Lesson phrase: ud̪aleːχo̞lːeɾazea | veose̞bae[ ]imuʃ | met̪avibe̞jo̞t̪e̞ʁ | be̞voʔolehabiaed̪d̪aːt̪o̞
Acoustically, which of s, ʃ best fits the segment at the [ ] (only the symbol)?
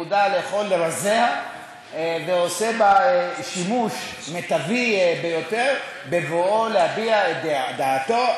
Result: ʃ